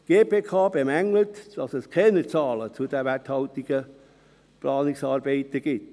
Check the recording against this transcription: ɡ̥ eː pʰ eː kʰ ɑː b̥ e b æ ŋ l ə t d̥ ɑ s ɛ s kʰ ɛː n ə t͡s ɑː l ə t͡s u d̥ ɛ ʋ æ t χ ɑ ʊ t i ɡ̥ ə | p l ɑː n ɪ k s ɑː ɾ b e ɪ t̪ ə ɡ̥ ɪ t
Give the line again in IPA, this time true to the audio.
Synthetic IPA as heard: ɡ̥ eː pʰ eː kʰ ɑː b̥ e m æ ŋ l ə t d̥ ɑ s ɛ s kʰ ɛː n ə t͡s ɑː l ə t͡s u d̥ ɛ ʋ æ t h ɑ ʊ t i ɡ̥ ə | p l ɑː n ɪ k s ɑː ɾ b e ɪ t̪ ə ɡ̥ ɪ t